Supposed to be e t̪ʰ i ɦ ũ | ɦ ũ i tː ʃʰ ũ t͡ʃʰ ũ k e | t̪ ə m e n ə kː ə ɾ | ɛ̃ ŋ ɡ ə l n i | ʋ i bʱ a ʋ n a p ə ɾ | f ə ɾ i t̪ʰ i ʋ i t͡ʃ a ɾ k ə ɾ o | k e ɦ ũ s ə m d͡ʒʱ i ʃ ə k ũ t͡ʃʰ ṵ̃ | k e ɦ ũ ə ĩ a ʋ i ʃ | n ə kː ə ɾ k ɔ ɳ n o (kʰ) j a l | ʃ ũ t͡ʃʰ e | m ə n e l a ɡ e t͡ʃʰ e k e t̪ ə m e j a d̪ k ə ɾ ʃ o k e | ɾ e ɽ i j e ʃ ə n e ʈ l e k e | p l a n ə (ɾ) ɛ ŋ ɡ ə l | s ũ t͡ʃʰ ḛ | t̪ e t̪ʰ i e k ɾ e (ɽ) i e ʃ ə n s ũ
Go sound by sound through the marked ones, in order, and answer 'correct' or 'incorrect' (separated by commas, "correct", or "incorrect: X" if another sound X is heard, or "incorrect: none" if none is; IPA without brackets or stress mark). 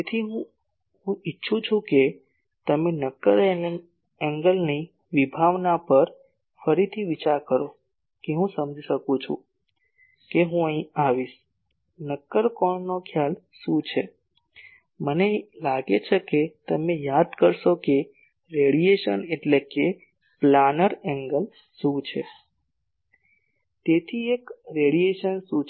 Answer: correct, correct, correct